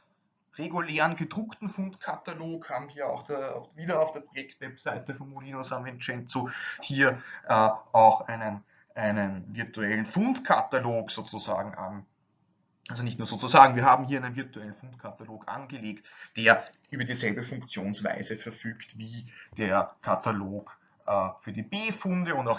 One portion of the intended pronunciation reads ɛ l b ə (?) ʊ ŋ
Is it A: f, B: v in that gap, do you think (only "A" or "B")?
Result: A